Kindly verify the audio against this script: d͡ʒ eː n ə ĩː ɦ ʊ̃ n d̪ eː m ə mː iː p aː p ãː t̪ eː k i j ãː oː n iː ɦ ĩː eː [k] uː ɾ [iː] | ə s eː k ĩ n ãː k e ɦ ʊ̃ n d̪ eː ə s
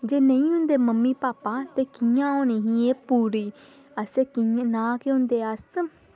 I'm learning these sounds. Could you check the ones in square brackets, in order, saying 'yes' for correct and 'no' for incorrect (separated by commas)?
no, yes